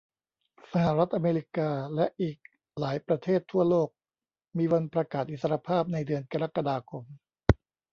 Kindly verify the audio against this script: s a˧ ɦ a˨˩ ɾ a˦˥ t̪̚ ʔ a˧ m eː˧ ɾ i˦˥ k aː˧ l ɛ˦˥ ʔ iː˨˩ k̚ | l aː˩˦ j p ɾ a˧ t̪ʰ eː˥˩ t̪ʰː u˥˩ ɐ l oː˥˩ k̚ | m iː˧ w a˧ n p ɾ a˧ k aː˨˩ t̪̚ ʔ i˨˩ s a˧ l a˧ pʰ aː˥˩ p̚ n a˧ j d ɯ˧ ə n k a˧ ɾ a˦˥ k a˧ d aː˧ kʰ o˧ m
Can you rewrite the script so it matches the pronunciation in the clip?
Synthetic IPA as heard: s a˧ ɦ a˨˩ ɾ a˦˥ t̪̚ ʔ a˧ m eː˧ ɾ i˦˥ k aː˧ l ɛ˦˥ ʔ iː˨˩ k̚ | l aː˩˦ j p ɾ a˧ t̪ʰ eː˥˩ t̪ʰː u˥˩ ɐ l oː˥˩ k̚ | m iː˧ w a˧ n p ɾ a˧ k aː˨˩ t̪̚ ʔ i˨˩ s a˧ ɾ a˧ pʰ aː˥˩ p̚ n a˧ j d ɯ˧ ə n k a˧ ɾ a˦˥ k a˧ d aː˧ kʰ o˧ m